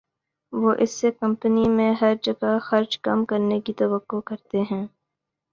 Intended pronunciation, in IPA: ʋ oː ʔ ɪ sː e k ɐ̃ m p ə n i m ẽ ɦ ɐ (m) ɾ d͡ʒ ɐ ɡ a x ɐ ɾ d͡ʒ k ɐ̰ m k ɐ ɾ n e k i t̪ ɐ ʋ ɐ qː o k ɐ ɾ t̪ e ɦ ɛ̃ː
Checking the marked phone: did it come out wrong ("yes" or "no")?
yes